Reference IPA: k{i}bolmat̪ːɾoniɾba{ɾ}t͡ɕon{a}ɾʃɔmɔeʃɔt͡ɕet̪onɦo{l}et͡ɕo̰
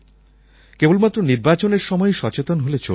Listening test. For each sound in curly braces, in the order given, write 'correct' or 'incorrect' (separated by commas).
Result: incorrect, incorrect, incorrect, correct